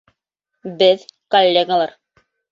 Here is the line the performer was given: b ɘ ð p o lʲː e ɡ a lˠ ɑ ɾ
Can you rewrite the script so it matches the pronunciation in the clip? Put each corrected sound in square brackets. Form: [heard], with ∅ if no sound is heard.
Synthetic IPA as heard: b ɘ ð [k] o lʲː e ɡ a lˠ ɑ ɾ